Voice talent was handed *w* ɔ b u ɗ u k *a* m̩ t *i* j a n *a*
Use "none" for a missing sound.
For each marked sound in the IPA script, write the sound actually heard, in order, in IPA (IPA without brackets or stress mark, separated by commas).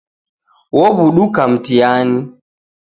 w, a, i, i